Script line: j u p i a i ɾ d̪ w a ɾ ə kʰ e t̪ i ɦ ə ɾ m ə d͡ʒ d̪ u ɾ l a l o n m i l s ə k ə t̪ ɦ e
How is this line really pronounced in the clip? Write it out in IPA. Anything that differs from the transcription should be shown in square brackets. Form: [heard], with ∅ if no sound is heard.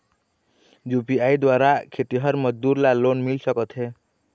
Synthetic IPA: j u p i a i [∅] d̪ w a ɾ [a] kʰ e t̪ i ɦ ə ɾ m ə d͡ʒ d̪ u ɾ l a l o n m i l s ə k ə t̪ ɦ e